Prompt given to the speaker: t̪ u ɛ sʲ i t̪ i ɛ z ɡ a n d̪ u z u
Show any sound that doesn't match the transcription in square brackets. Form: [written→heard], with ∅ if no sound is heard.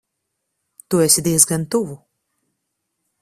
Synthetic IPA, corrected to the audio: t̪ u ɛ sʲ i [t̪→d̪] i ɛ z ɡ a n [d̪→t̪] u [z→v] u